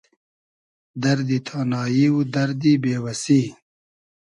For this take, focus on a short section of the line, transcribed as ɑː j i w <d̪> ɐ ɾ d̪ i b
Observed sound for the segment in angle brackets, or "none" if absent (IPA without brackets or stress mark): d̪